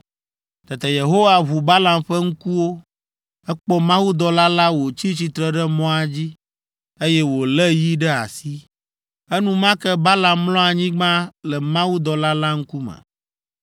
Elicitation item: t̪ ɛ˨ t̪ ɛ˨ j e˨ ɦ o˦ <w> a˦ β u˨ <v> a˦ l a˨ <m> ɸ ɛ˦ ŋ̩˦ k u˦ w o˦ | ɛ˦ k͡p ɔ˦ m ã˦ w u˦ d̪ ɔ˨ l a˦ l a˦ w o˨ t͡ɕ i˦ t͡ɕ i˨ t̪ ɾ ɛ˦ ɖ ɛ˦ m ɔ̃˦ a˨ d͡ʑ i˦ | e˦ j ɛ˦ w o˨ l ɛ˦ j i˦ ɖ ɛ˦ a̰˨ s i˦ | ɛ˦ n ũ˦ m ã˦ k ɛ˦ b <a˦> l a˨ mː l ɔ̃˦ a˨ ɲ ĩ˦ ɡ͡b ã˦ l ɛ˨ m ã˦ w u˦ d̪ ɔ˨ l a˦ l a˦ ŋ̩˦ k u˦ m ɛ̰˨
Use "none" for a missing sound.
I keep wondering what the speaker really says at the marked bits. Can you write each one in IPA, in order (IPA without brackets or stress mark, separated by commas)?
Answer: w, b, m, a˦